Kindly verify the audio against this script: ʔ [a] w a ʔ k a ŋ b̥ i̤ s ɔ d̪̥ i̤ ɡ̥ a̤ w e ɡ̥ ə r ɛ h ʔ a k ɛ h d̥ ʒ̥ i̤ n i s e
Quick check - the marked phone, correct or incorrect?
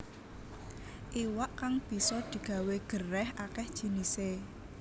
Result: incorrect